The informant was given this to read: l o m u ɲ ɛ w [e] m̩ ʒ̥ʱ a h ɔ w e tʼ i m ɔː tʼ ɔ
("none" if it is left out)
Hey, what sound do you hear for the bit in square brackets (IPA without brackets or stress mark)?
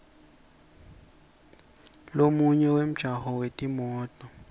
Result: e